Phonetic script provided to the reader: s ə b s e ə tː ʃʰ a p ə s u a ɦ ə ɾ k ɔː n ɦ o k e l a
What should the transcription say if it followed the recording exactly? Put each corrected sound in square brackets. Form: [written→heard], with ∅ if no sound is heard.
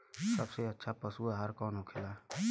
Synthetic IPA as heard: s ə b s e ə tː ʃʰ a p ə s u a ɦ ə ɾ k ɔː n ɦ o [k→kʰ] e l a